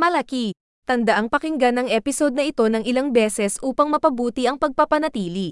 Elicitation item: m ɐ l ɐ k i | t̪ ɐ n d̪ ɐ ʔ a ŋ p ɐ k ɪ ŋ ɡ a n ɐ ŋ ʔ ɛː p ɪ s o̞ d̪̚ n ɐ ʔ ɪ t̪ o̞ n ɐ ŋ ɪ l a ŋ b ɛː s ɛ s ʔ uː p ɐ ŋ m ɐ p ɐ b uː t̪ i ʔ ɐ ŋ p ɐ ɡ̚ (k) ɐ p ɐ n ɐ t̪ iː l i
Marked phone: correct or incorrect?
incorrect